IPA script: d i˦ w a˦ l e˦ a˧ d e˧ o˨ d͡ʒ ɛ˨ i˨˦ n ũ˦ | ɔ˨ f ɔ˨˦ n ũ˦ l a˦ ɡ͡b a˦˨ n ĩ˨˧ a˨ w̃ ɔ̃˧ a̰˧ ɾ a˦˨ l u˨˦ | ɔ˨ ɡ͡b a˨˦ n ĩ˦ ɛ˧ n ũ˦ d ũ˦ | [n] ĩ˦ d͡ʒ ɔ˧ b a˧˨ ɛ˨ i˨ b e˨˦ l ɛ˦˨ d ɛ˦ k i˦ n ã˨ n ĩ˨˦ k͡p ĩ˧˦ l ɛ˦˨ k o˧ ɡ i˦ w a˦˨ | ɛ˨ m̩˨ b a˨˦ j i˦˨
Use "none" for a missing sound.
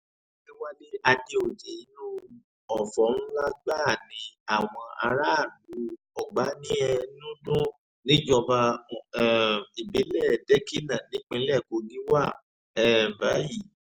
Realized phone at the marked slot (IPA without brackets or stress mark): n